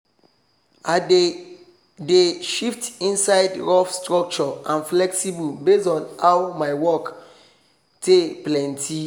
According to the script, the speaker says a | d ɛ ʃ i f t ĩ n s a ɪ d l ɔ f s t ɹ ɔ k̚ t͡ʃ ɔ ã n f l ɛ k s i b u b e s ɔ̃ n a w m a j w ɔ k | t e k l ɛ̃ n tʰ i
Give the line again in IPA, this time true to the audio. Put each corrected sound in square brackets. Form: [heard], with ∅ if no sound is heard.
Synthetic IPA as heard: a | d [e] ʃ i f t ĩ n s a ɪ d [ɹ] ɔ f s t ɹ ɔ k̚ t͡ʃ ɔ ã n f l ɛ k s i b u b e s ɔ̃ n a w m a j w ɔ k | t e [p] l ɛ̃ n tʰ i